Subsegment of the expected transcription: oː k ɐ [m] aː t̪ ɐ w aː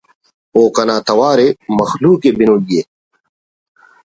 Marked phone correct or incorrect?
incorrect